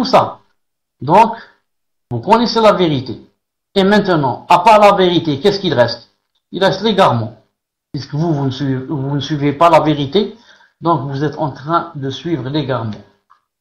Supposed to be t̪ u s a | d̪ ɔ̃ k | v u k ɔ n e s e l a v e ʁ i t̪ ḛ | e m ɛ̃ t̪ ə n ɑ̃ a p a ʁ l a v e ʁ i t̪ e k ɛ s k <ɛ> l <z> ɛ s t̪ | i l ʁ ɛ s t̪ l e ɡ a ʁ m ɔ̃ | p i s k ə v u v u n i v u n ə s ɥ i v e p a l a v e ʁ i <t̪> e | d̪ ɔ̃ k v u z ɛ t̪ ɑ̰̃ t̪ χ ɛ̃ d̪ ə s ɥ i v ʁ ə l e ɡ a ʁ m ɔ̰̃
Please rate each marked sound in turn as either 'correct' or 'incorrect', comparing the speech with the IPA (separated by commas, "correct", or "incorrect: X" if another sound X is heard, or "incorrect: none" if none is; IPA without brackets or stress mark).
incorrect: i, incorrect: ʁ, correct